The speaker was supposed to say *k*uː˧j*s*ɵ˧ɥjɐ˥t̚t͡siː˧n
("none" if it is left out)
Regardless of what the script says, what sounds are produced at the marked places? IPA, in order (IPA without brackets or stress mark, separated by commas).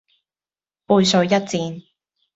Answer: p, s